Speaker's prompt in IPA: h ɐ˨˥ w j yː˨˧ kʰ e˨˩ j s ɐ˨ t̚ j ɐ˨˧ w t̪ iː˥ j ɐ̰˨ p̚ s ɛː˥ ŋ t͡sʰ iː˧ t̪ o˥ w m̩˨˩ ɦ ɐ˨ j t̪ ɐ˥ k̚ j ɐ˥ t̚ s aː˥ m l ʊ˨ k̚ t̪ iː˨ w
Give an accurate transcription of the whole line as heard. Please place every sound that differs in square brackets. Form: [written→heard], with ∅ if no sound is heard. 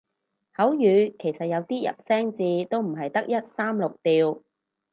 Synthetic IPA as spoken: h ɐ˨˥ w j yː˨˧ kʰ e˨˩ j s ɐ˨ t̚ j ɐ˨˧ w t̪ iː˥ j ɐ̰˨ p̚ s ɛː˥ ŋ [t͡sʰ→t͡s] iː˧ t̪ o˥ w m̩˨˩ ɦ ɐ˨ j t̪ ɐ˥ k̚ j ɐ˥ t̚ s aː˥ m l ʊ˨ k̚ t̪ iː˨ w

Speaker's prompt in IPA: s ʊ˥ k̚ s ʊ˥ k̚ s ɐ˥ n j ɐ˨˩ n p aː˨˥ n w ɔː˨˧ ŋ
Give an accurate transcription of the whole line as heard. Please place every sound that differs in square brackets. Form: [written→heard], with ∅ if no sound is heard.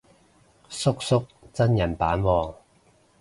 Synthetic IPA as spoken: s ʊ˥ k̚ s ʊ˥ k̚ [s→t͡s] ɐ˥ n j ɐ˨˩ n p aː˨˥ n w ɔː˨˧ ŋ

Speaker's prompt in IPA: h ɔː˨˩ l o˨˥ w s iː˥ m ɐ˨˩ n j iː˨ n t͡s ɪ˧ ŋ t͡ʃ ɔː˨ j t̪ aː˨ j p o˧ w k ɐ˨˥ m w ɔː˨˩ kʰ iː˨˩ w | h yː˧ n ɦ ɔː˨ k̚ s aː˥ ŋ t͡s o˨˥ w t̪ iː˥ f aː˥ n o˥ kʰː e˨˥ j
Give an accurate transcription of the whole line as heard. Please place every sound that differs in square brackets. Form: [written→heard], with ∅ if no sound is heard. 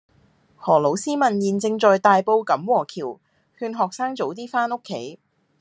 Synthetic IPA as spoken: h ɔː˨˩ l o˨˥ w s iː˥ m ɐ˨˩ n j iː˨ n t͡s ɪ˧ ŋ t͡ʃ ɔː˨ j t̪ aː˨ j p o˧ w k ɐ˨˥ m w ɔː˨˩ kʰ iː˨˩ w | h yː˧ n ɦ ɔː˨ k̚ s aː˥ ŋ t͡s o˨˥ w t̪ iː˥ f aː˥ n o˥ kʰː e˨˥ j

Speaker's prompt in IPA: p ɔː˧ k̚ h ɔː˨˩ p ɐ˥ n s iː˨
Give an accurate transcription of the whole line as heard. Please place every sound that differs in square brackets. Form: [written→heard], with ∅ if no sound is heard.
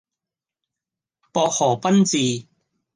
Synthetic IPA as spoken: p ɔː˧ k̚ h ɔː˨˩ p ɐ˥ n [s→t͡s] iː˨

